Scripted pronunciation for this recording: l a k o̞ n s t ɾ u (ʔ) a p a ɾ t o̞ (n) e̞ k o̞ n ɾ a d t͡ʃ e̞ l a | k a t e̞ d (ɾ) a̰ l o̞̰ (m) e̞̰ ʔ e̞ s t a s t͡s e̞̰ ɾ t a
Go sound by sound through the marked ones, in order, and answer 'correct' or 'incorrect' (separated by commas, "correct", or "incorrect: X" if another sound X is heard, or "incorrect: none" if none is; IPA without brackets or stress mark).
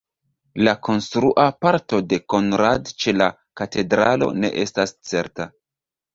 correct, incorrect: d, correct, incorrect: n